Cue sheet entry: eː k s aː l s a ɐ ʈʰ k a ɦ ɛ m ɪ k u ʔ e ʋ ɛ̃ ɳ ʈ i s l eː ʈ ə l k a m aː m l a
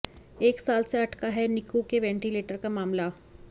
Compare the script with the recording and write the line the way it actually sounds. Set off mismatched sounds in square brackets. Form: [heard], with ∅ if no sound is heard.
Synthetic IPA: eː k s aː l s [e] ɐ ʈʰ k a ɦ ɛ [n] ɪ k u [k] e ʋ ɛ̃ ɳ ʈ i [∅] l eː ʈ ə [ɾ] k a m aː m l a